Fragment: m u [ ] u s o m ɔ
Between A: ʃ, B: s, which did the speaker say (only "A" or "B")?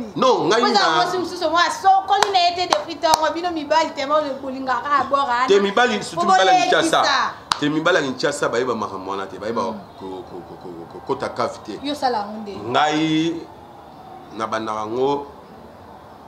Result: B